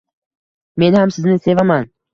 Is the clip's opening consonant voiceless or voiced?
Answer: voiced